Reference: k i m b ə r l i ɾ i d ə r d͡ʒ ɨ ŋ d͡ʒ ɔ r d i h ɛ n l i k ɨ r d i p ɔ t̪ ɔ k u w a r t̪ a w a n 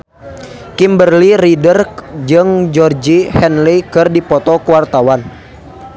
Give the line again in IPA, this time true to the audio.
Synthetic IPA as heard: k i m b ə r l i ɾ i d ə r d͡ʒ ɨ ŋ d͡ʒ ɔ r d͡ʒ i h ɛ n l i k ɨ r d i p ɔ t̪ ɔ k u w a r t̪ a w a n